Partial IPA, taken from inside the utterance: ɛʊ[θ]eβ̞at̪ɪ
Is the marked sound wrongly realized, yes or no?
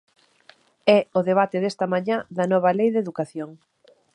yes